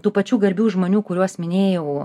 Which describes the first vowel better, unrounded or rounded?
rounded